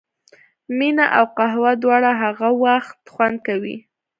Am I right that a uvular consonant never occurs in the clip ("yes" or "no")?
no